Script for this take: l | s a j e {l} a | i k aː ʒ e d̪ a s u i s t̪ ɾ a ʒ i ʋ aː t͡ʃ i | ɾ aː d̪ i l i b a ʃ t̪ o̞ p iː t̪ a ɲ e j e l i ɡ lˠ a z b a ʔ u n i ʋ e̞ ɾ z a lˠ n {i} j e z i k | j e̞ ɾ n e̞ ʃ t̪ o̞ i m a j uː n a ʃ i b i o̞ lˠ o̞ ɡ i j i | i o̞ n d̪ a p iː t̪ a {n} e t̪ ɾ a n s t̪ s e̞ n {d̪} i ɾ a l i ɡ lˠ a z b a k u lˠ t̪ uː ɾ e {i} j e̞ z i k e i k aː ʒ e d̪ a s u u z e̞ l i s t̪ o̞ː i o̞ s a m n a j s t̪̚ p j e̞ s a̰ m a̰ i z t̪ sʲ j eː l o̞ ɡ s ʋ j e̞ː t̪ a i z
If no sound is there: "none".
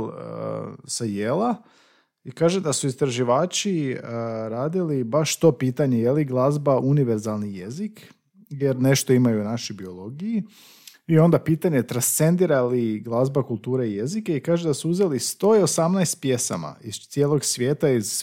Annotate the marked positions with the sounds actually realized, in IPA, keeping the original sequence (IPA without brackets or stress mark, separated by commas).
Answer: l, i, ɲ, d̪, i